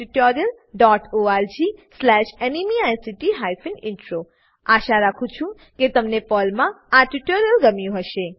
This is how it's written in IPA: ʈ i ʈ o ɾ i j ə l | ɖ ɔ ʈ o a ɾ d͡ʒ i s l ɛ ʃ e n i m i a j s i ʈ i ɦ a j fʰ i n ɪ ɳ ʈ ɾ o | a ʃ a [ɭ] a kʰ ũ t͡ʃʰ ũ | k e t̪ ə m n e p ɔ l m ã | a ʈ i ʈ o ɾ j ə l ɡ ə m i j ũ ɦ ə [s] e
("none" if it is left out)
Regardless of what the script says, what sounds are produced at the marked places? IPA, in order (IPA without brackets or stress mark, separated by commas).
ɾ, ʃ